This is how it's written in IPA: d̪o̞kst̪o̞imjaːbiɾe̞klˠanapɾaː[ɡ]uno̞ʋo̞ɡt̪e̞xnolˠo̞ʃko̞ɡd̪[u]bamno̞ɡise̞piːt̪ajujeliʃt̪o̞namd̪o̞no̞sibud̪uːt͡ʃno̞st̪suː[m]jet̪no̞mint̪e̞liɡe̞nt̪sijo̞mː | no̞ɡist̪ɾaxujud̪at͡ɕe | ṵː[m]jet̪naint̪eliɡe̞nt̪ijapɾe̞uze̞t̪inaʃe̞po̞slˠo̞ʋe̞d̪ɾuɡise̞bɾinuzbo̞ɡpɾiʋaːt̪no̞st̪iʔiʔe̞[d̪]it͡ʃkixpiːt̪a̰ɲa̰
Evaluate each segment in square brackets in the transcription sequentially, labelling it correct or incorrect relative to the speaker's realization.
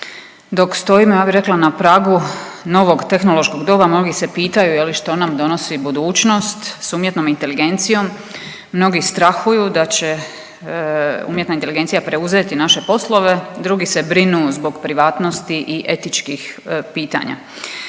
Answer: correct, incorrect: o, correct, correct, incorrect: t̪

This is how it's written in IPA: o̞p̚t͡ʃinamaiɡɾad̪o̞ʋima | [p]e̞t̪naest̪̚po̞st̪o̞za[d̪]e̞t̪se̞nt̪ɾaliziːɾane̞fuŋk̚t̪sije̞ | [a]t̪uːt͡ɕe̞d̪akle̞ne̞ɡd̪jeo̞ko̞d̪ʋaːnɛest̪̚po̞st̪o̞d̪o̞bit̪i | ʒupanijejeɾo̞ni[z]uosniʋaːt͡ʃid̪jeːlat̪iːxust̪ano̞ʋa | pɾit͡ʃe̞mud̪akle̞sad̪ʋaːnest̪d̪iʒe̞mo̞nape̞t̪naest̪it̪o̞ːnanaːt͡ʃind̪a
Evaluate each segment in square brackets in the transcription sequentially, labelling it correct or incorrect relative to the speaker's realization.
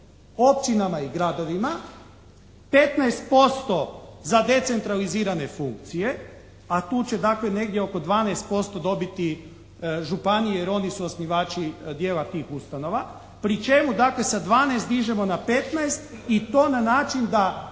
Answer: correct, correct, correct, incorrect: s

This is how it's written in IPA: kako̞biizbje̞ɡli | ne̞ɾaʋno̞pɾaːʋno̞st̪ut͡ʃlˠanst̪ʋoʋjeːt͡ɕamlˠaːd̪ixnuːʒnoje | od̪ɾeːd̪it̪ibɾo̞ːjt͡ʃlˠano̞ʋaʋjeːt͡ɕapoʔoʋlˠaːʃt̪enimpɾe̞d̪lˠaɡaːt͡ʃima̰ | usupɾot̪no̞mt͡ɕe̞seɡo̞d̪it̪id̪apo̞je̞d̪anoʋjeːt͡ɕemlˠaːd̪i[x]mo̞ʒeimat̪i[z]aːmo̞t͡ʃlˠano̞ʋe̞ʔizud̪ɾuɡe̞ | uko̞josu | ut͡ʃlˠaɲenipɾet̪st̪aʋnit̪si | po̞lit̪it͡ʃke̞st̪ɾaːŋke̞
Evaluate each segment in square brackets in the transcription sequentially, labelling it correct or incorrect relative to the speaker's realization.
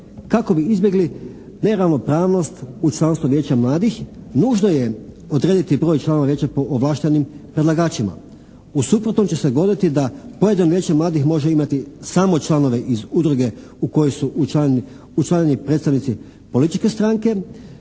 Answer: correct, incorrect: s

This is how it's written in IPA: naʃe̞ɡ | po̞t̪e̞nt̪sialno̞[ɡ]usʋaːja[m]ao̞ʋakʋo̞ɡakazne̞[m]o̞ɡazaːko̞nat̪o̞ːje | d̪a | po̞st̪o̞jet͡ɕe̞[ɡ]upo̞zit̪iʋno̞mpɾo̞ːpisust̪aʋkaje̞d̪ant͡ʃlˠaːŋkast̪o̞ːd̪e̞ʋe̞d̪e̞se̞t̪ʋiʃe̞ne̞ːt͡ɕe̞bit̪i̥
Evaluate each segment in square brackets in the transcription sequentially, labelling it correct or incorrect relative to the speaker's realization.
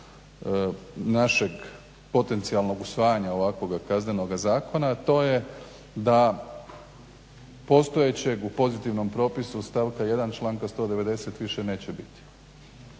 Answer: correct, incorrect: ɲ, incorrect: n, correct

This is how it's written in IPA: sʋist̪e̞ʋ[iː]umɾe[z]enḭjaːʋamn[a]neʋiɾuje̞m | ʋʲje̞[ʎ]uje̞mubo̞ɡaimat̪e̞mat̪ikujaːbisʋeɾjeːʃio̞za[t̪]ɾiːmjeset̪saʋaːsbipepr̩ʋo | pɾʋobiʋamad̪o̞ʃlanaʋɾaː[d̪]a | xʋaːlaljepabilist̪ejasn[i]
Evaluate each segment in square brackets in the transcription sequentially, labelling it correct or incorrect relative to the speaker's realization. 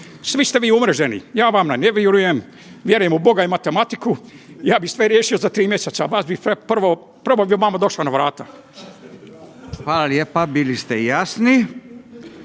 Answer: correct, incorrect: ʒ, correct, incorrect: ɾ, correct, incorrect: t̪, correct

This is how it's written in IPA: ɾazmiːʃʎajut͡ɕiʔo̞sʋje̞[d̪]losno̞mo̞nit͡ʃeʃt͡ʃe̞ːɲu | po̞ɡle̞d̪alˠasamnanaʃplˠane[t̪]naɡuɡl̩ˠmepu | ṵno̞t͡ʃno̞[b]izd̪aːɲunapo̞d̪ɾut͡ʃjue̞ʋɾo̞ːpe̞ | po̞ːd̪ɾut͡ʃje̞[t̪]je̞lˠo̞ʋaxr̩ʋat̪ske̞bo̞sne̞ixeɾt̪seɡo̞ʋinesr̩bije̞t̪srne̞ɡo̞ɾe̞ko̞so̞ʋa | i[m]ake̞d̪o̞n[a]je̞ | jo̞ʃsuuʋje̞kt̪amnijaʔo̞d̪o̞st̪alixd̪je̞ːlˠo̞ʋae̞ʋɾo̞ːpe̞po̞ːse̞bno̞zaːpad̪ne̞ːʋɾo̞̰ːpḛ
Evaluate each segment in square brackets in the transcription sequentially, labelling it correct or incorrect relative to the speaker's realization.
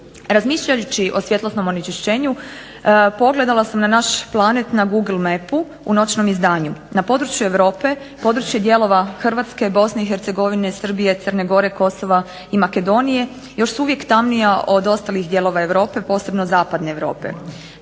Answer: incorrect: t̪, correct, incorrect: m, incorrect: d̪, correct, incorrect: i

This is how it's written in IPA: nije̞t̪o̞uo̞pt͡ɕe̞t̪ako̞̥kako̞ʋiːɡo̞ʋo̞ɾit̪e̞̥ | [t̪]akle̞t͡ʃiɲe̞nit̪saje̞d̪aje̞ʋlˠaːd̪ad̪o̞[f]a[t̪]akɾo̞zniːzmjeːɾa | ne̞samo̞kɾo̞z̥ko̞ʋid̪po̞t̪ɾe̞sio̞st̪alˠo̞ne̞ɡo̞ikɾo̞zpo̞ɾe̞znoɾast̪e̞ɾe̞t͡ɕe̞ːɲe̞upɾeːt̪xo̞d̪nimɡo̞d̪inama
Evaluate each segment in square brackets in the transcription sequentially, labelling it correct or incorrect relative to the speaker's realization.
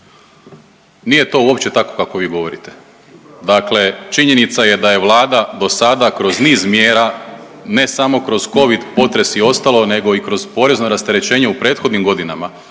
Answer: incorrect: d̪, incorrect: s, incorrect: d̪

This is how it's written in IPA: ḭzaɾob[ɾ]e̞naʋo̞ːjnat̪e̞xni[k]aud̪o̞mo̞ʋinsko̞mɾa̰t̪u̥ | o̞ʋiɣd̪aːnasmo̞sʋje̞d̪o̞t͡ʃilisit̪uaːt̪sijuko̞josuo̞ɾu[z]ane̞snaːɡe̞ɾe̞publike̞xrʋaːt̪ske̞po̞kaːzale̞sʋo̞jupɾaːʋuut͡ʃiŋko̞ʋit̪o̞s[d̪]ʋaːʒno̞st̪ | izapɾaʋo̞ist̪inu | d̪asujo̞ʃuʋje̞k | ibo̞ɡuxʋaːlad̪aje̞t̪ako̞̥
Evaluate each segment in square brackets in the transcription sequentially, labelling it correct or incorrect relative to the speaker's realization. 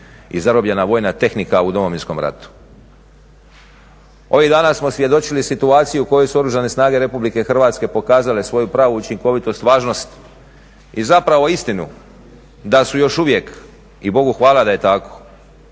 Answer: incorrect: ʎ, correct, incorrect: ʒ, incorrect: t̪

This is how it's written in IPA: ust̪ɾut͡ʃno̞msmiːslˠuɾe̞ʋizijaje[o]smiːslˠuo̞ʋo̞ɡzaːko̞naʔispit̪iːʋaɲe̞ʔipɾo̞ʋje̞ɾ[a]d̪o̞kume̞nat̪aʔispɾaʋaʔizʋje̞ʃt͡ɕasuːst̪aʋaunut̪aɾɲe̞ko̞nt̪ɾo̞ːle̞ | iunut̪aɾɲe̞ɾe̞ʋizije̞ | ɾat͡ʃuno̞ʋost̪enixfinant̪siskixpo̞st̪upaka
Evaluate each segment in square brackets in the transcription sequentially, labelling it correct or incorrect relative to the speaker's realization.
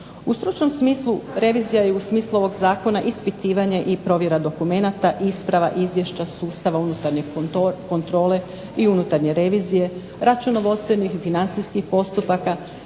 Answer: incorrect: u, correct

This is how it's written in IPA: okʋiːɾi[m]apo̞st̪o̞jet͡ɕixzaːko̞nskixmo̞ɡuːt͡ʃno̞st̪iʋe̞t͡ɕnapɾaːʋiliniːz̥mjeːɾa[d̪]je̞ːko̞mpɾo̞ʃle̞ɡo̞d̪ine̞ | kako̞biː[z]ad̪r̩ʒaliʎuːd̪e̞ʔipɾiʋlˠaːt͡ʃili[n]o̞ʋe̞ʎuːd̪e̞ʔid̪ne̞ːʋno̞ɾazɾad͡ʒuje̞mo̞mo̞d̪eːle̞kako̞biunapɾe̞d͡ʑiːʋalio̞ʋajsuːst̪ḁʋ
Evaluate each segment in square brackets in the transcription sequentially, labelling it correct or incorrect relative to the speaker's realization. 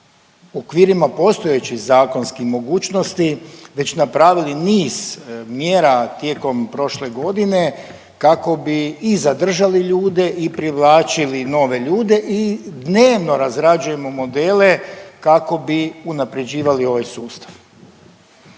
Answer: correct, incorrect: t̪, correct, correct

